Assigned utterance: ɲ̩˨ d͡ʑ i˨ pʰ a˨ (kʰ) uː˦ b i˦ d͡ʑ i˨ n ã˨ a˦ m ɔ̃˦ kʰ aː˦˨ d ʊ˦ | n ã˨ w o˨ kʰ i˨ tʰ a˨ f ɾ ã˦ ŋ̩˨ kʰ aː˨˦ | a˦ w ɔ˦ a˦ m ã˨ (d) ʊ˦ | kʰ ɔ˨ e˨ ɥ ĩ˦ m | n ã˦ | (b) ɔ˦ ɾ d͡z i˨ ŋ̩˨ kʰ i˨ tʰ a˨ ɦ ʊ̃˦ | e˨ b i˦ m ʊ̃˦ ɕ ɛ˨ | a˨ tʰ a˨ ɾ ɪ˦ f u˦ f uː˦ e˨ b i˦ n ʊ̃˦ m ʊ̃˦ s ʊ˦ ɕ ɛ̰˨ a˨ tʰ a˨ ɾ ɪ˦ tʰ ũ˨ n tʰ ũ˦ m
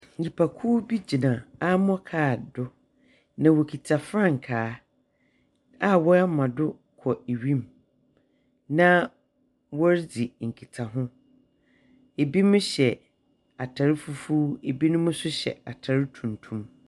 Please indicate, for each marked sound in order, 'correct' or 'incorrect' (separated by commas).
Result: correct, correct, incorrect